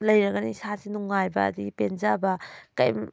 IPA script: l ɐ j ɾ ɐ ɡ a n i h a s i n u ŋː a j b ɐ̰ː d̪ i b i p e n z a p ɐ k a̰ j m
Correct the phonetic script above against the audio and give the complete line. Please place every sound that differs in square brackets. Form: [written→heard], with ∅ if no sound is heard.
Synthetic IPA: l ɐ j ɾ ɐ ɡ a n i [h→s] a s i n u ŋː a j b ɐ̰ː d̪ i [b→ɡ] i p e n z a [p→b] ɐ k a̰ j m